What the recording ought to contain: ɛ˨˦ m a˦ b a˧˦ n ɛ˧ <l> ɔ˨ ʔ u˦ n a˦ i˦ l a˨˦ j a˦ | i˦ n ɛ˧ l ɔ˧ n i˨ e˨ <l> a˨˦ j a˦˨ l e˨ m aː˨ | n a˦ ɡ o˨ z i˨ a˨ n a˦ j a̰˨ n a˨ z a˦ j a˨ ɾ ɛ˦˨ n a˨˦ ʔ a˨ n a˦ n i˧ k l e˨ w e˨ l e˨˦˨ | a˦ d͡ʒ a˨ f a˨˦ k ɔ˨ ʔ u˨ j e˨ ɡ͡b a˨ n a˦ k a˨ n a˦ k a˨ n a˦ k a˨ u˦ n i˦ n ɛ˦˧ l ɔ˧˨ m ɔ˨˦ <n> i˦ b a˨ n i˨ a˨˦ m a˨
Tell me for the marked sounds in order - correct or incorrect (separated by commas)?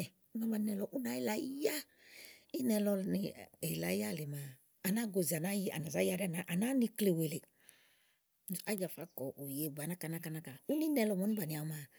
correct, correct, correct